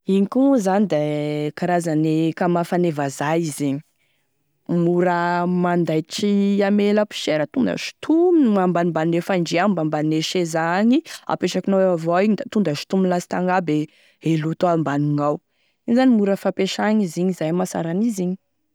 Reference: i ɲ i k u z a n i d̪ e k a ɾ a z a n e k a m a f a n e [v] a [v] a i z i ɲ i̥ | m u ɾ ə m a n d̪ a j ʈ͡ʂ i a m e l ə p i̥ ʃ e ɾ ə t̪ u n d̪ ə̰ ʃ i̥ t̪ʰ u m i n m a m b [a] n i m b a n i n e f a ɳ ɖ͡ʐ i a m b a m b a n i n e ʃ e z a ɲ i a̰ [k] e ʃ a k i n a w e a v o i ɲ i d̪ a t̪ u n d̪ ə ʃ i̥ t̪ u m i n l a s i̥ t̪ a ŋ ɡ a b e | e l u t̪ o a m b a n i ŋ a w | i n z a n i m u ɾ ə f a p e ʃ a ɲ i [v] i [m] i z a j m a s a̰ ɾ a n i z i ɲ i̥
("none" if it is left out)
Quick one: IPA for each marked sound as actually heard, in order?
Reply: v, z, a, p, z, ɲ

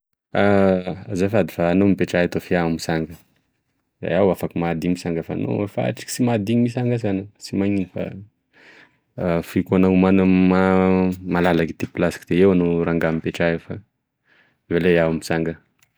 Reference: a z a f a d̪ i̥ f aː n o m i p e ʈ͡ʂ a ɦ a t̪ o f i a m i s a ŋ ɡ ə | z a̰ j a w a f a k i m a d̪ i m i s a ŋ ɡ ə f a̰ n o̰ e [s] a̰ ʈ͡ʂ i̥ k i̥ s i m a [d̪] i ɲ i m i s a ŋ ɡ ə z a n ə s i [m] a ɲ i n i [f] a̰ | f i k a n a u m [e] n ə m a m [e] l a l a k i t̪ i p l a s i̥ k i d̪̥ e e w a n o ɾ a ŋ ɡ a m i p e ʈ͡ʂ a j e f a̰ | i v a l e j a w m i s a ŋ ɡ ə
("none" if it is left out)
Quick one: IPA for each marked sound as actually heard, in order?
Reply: f, d̪, m, f, a, a

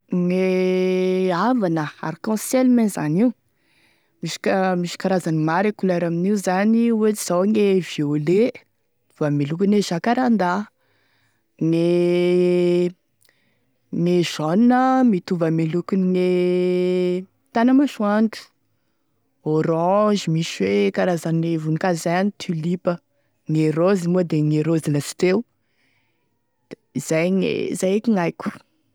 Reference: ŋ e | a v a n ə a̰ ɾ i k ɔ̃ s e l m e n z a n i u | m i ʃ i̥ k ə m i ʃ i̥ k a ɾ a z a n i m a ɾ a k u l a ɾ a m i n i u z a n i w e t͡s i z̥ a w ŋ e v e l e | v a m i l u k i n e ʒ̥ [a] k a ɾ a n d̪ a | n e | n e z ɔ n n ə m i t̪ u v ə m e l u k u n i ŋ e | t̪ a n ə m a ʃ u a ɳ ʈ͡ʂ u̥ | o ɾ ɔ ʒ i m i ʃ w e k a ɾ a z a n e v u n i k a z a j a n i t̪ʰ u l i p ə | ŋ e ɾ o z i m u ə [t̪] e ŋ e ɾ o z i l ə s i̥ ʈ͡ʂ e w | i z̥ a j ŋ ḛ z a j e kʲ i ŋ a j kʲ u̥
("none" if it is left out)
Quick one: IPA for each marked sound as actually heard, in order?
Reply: a, d̪

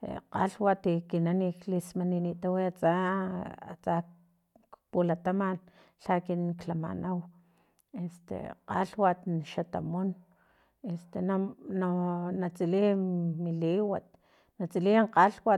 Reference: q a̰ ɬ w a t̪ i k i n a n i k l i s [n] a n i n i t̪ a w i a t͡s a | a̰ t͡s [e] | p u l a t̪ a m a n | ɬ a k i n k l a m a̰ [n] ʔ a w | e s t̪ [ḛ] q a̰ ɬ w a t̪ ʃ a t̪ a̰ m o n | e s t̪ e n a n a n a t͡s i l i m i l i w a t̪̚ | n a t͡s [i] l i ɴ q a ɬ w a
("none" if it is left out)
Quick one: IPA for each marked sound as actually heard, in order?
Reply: m, a, n, ḛ, i

